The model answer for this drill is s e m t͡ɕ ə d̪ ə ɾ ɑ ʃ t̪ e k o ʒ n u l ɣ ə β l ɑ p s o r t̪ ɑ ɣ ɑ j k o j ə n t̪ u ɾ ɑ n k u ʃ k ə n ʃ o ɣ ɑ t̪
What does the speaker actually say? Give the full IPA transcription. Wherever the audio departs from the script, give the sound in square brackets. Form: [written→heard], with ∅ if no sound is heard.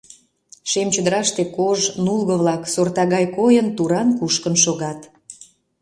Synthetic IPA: [s→ʃ] e m t͡ɕ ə d̪ ə ɾ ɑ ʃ t̪ e k o ʒ n u l ɣ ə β l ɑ [p→k] s o r t̪ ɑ ɣ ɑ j k o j ə n t̪ u ɾ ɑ n k u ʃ k ə n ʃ o ɣ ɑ t̪